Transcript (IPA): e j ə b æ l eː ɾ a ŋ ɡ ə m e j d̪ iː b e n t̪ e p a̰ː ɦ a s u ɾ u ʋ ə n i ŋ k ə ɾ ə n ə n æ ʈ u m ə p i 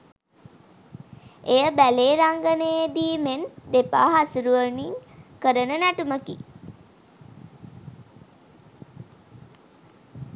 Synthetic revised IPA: e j ə b æ l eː ɾ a ŋ ɡ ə n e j d̪ iː m e n d̪ e p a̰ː ɦ a s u ɾ u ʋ ə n i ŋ k ə ɾ ə n ə n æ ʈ u m ə k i